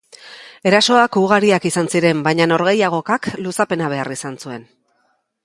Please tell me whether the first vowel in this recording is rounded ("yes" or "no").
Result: no